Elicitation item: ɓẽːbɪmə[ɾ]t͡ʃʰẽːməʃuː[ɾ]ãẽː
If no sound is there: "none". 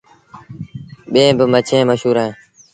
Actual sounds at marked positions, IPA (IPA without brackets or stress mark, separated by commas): none, ɾ